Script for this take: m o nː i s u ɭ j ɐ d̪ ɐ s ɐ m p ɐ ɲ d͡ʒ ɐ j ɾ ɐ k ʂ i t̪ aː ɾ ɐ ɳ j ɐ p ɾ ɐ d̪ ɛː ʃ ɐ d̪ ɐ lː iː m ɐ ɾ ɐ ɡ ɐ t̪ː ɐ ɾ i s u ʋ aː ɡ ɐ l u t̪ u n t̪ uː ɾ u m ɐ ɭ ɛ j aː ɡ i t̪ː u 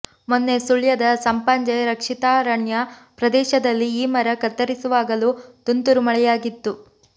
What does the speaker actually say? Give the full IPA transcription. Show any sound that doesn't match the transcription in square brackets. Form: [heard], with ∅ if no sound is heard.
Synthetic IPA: m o nː [e] s u ɭ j ɐ d̪ ɐ s ɐ m p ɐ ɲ d͡ʒ ɐ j ɾ ɐ k ʂ i t̪ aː ɾ ɐ ɳ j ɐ p ɾ ɐ d̪ ɛː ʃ ɐ d̪ ɐ lː iː m ɐ ɾ ɐ [k] ɐ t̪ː ɐ ɾ i s u ʋ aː ɡ ɐ l u t̪ u n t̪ [u] ɾ u m ɐ ɭ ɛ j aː ɡ i t̪ː u